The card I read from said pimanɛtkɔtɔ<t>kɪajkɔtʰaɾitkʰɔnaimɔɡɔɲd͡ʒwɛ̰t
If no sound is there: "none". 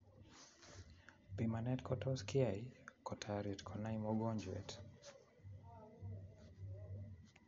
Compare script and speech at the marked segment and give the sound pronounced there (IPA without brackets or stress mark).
s